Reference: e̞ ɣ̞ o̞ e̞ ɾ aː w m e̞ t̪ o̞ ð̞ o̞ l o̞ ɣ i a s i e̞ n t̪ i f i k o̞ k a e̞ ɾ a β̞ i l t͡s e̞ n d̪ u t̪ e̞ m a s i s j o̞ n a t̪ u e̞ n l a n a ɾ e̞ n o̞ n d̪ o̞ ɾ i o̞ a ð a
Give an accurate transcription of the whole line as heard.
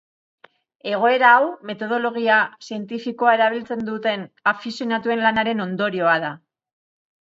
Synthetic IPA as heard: e̞ ɣ̞ o̞ e̞ ɾ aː w m e̞ t̪ o̞ ð̞ o̞ l o̞ ɣ i a s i e̞ n t̪ i f i k o̞ a e̞ ɾ a β̞ i l t͡s e̞ n d̪ u t̪ e̞ n a f i s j o̞ n a t̪ u e̞ n l a n a ɾ e̞ n o̞ n d̪ o̞ ɾ i o̞ a ð a